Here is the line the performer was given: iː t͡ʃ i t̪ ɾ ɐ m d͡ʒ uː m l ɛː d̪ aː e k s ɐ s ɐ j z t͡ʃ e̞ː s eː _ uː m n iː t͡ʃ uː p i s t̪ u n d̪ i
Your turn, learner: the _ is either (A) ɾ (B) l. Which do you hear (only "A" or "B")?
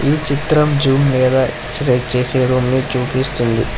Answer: A